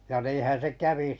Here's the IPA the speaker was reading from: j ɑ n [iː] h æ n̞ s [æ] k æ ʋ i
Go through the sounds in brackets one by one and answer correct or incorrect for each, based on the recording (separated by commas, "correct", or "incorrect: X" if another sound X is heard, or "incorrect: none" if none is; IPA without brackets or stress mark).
correct, incorrect: e